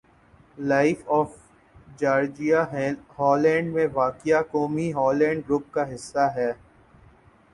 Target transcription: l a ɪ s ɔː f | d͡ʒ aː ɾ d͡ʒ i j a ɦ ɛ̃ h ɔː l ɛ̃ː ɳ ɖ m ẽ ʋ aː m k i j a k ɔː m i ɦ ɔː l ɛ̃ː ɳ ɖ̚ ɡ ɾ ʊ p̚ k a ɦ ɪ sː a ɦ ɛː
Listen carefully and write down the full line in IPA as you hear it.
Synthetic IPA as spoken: l a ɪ f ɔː f | d͡ʒ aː ɾ d͡ʒ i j a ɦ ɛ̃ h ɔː l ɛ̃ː ɳ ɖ m ẽ ʋ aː k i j a k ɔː m i ɦ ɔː l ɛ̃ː ɳ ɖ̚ ɡ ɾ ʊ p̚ k a ɦ ɪ sː a ɦ ɛː